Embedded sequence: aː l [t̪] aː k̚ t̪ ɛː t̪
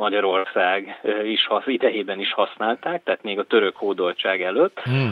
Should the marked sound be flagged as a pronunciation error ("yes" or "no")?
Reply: no